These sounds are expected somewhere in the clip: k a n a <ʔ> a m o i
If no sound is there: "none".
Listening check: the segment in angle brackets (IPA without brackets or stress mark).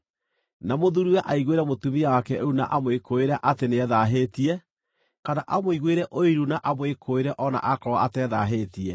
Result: ʔ